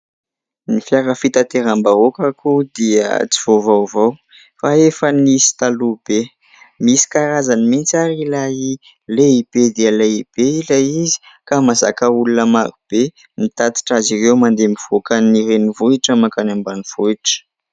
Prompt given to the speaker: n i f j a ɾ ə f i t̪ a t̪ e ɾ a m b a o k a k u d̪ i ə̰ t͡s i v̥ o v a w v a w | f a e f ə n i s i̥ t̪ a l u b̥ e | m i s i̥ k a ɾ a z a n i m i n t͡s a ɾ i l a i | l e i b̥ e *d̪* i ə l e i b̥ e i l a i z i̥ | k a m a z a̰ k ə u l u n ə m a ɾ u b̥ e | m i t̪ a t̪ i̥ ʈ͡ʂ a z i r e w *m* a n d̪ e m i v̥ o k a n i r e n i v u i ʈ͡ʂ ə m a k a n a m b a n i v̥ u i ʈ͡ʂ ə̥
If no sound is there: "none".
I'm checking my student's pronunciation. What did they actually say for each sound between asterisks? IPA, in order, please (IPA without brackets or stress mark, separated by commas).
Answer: d̪, m